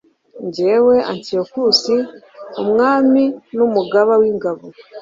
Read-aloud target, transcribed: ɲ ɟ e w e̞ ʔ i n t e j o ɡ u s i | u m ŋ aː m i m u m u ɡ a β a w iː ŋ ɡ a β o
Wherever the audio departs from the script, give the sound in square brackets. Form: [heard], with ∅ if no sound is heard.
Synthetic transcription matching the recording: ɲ ɟ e w e̞ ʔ [a] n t [i] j o [k] u s i | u m ŋ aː m i [n] u m u ɡ a β a w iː ŋ ɡ a β o